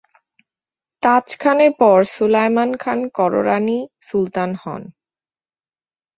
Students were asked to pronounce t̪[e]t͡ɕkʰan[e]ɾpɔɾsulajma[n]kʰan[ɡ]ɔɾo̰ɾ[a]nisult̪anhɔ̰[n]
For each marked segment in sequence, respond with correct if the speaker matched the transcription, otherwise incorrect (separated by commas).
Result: incorrect, correct, correct, incorrect, correct, correct